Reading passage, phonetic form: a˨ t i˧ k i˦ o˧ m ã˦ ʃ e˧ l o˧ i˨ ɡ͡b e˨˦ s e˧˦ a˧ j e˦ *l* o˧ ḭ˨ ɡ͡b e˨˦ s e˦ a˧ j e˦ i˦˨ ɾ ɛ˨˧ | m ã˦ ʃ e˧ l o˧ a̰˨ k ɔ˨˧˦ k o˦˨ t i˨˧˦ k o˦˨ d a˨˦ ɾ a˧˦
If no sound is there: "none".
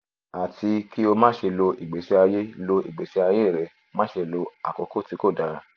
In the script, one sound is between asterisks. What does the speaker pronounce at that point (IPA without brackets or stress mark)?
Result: l